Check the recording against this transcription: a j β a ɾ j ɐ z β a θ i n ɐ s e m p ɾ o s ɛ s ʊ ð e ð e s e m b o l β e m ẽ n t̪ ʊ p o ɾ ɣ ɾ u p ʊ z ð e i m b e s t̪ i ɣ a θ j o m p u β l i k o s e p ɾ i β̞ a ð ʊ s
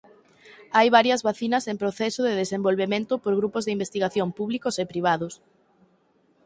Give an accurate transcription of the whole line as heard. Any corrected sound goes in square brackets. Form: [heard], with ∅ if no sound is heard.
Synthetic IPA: a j β a ɾ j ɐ z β a θ i n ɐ s e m p ɾ o [θ] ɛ s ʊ ð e ð e s e m b o l β e m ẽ n t̪ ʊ p o ɾ ɣ ɾ u p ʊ z ð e i m b e s t̪ i ɣ a θ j o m p u β l i k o s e p ɾ i β̞ a ð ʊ s